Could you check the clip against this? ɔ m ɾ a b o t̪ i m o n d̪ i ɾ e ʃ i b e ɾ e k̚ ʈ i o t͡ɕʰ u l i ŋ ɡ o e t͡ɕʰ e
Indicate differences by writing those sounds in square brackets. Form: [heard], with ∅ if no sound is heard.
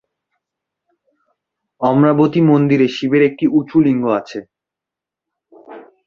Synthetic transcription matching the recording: ɔ m ɾ a b o t̪ i m o n d̪ i ɾ e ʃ i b e ɾ e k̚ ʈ i [u] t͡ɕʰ u l i ŋ ɡ o [a] t͡ɕʰ e